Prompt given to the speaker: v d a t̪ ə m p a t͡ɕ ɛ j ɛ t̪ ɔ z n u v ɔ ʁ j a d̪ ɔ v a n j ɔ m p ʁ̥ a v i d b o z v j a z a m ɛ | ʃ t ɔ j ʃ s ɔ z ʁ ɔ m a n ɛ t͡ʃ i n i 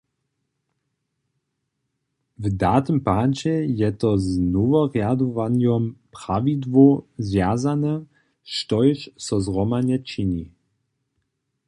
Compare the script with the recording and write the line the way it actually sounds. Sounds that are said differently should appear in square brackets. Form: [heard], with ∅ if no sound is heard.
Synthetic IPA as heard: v d a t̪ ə m p a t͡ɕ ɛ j ɛ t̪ ɔ z n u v ɔ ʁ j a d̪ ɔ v a n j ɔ m p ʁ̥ a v i d [v] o z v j a z a [n] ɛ | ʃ t ɔ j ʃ s ɔ z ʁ ɔ m a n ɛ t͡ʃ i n i